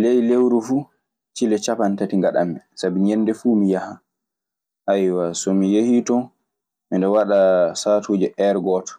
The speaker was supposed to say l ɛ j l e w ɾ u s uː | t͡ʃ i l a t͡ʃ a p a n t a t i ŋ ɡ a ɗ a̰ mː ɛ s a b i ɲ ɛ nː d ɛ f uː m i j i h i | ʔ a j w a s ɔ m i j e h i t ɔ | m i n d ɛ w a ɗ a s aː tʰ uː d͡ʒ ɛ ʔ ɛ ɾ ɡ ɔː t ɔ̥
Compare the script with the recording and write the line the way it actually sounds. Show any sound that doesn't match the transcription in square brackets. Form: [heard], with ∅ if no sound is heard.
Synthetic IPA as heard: l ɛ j l e w ɾ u [f] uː | t͡ʃ i l [ɛ] t͡ʃ a p a n t a t i ŋ ɡ a ɗ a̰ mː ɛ s a b i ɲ ɛ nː d ɛ f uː m i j [a] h [a] | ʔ a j w a s ɔ m i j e h i t ɔ | m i n d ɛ w a ɗ a s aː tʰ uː d͡ʒ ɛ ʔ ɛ ɾ ɡ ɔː t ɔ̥